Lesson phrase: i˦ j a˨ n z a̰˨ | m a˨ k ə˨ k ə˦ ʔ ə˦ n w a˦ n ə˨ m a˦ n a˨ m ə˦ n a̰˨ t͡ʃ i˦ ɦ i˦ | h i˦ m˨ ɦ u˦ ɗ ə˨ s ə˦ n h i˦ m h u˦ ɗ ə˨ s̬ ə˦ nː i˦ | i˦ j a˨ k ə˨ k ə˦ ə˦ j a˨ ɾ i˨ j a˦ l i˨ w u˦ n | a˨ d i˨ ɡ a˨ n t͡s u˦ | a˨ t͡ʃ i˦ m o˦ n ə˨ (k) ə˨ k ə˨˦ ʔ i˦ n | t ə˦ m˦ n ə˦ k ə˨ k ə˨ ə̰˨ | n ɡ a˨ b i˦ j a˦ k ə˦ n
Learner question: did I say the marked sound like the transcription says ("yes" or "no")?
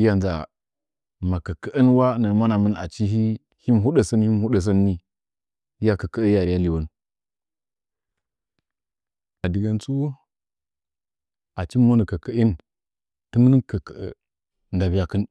yes